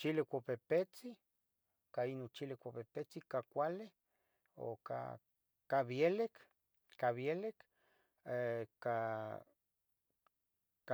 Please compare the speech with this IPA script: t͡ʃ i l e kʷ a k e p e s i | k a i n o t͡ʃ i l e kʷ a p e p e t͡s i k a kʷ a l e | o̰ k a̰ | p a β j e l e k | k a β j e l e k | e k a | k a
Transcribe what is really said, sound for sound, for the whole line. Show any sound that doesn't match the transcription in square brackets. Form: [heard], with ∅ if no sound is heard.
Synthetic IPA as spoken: t͡ʃ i l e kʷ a [p] e p e [t͡s] i | k a i n o t͡ʃ i l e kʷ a p e p e t͡s i k a kʷ a l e | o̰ k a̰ | [k] a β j e l e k | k a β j e l e k | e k a | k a